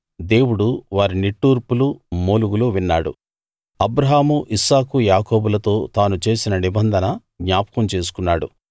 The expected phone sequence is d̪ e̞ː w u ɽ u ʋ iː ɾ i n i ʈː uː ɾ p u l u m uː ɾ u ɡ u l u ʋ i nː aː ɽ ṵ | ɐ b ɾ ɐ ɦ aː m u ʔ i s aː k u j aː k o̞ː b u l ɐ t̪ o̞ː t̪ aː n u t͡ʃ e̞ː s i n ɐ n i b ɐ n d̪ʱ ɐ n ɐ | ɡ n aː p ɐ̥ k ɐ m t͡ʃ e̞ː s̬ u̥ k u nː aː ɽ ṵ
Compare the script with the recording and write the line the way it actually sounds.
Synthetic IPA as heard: d̪ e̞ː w u ɽ u ʋ aː ɾ i n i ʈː uː ɾ p u l u m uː l u ɡ u l u ʋ i nː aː ɽ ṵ | ɐ b ɾ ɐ ɦ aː m u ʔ i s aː k u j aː k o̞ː b u l ɐ t̪ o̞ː t̪ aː n u t͡ʃ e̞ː s i n ɐ n i b ɐ n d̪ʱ ɐ n ɐ | ɡ ɲ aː p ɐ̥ k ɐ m t͡ʃ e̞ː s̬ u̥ k u nː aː ɽ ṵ